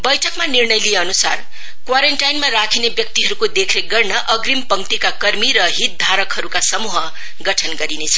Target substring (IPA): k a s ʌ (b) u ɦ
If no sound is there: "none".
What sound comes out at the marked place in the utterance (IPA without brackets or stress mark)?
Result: m